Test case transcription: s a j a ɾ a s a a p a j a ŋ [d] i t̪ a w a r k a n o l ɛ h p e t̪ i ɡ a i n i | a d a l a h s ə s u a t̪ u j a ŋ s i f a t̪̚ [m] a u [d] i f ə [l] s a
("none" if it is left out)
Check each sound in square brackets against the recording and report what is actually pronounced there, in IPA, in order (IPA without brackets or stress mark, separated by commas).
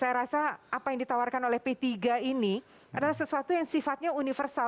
d, ɲ, n, r